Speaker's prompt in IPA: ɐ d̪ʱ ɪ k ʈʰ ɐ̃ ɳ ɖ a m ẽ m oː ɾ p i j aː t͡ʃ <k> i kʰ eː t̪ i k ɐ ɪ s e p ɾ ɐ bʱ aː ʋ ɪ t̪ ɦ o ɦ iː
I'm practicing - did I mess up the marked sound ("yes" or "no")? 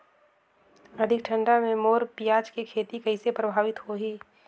no